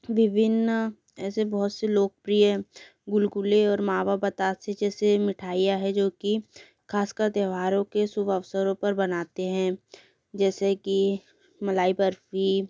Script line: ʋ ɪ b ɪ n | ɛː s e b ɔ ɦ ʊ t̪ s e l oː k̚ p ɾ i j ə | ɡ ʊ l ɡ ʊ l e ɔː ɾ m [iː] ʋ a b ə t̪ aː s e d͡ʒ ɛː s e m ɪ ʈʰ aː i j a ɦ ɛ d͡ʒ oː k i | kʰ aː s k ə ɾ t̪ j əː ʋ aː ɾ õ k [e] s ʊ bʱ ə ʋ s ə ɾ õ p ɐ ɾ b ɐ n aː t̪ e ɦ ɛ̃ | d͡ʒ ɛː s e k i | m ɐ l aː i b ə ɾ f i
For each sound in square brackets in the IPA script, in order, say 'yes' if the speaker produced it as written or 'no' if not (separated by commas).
no, yes